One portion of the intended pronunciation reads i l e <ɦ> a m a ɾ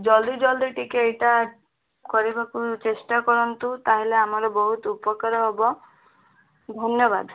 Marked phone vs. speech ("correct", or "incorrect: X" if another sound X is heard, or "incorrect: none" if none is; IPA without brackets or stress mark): incorrect: none